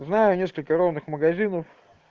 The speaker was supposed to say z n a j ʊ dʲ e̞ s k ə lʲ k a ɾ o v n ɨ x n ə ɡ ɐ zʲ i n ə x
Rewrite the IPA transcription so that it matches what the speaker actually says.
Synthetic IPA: z n a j ʊ nʲ e̞ s k ə lʲ k ə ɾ o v n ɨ x m ə ɡ ɐ zʲ i n ə f